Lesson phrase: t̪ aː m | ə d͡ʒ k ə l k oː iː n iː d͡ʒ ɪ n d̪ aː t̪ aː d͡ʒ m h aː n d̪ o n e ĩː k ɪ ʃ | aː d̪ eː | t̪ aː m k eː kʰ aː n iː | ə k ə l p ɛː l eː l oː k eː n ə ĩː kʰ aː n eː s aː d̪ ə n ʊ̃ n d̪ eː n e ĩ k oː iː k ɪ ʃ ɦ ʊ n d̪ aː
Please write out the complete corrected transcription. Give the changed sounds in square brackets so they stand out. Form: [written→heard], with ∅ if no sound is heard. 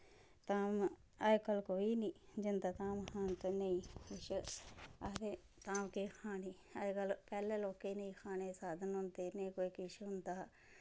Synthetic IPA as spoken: t̪ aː m | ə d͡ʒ k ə l k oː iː n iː d͡ʒ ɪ n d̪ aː t̪ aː [d͡ʒ→∅] m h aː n [d̪→t̪] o n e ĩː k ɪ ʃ | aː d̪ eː | t̪ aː m k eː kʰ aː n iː | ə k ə l p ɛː l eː l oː k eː n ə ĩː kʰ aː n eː s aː d̪ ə n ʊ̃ n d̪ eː n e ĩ k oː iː k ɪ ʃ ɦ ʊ n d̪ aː